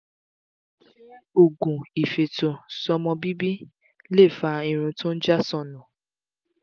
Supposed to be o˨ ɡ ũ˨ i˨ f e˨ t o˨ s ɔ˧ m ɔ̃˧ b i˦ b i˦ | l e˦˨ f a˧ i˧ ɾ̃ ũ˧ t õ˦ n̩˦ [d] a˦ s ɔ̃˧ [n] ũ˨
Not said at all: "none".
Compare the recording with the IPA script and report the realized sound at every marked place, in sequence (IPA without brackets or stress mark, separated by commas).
d͡ʒ, n